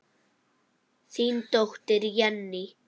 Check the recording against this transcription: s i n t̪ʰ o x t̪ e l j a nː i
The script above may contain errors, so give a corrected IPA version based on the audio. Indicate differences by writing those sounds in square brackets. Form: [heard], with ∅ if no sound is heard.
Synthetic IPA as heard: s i n [t̪] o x t̪ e [ɾ] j a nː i